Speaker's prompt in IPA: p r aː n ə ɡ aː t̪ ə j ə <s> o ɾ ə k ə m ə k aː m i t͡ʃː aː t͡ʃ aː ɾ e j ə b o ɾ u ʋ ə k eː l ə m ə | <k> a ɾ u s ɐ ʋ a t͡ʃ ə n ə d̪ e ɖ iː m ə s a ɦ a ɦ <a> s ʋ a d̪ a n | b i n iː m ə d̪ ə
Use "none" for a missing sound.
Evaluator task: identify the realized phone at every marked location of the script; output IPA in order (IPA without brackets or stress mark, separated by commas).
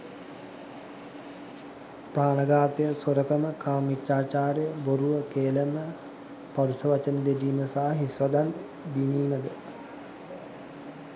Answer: s, p, i